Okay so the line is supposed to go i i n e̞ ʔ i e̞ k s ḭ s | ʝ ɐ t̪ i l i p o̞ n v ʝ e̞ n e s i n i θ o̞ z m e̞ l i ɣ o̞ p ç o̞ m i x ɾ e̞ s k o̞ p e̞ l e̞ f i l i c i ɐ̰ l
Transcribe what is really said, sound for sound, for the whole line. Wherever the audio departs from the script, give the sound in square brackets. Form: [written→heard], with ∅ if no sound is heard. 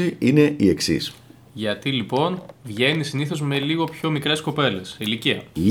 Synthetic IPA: i i n e̞ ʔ i e̞ k s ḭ s | ʝ ɐ t̪ i l i p o̞ n v ʝ e̞ n [e→i] s i n i θ o̞ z m e̞ l i ɣ o̞ p ç o̞ m i [x→k] ɾ e̞ s k o̞ p e̞ l e̞ [f→s] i l i c i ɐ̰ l